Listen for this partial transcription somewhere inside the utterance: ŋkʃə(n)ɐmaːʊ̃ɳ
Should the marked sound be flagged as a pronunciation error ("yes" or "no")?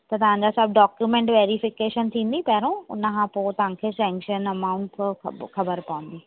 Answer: no